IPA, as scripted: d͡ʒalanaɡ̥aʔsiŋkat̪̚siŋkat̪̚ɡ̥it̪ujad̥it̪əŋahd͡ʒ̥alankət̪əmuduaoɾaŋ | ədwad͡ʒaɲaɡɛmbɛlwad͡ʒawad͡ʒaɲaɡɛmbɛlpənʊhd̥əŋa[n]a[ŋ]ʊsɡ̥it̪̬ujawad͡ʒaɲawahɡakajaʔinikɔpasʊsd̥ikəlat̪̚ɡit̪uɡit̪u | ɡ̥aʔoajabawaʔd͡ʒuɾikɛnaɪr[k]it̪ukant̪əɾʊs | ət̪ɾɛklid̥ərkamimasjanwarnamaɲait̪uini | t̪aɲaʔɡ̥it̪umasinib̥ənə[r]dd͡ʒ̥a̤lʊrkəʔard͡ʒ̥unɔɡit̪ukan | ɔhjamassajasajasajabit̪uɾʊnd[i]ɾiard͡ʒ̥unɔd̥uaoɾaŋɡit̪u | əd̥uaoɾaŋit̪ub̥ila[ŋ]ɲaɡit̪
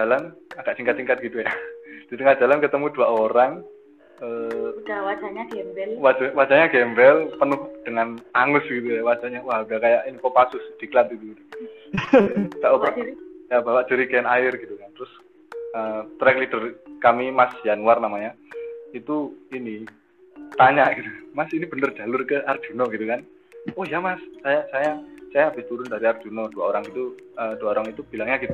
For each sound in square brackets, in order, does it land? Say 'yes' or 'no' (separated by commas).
yes, yes, no, yes, no, yes